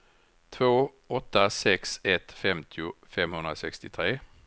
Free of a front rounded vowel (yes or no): yes